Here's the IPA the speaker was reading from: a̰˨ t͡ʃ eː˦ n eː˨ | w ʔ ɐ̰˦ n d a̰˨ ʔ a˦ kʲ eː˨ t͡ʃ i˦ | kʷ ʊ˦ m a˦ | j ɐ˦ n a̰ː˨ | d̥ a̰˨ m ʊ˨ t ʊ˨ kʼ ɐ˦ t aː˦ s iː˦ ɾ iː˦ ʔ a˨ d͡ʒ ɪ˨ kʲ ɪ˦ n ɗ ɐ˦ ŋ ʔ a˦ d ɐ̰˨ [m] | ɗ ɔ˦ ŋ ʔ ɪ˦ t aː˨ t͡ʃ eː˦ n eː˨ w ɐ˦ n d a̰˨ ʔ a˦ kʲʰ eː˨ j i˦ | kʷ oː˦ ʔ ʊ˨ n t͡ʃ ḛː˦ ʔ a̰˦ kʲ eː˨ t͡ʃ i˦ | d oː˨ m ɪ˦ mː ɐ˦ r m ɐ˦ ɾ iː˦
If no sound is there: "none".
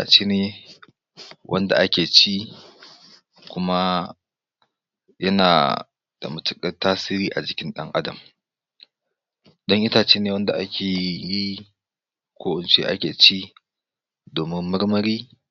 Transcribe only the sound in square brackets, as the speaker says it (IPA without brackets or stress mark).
m